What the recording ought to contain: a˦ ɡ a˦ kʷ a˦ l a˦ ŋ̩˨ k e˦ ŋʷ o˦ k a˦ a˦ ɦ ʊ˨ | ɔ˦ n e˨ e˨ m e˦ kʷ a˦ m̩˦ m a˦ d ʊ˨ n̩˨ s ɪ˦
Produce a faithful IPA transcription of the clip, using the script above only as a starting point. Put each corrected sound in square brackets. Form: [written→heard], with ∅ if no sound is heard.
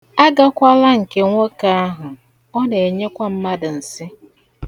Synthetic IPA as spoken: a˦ ɡ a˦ kʷ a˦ l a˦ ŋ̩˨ k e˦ ŋʷ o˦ k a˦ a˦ ɦ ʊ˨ | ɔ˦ n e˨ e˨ [m→ɲ] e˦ kʷ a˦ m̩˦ m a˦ d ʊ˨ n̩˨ s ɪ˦